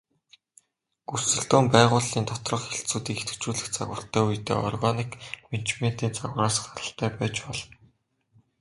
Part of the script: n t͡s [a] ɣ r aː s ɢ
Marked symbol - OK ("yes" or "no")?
yes